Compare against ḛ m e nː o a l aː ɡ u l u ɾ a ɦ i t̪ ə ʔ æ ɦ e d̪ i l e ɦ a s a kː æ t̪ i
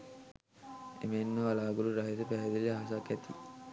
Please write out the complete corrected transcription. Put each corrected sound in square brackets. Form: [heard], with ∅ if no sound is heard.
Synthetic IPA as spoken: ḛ m e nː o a l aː ɡ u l u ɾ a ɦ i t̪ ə [p] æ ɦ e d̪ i l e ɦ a s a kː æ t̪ i